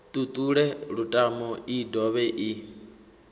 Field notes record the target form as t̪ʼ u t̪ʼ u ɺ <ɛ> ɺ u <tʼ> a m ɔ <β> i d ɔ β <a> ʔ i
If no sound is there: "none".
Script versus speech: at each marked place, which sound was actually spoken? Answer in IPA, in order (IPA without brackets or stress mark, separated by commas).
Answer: ɛ, tʼ, none, ɛ